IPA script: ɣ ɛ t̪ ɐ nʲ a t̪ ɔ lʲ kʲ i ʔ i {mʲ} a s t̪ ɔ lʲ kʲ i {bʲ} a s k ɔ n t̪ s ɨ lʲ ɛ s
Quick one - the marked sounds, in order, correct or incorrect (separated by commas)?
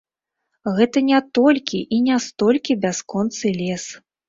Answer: incorrect, correct